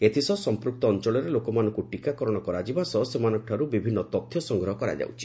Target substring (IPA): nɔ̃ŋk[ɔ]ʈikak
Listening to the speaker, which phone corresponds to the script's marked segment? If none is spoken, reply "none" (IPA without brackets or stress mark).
u